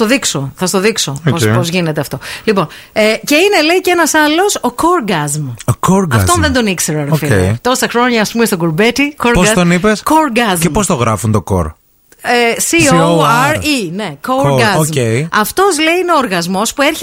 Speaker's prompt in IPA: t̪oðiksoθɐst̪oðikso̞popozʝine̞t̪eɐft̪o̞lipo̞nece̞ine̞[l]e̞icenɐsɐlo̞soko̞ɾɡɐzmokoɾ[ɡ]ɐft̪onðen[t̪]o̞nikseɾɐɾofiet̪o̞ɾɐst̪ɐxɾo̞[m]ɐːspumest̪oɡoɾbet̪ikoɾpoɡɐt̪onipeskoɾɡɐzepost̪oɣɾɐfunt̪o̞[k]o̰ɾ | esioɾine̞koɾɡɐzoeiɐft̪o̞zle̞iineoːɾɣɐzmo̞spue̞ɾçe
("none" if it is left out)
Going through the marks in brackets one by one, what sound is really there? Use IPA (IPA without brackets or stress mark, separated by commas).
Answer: l, ɡ, d̪, ɲ, k